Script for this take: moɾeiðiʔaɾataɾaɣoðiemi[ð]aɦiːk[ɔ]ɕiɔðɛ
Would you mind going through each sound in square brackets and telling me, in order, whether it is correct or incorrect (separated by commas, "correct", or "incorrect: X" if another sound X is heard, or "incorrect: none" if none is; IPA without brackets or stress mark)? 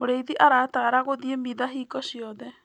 correct, correct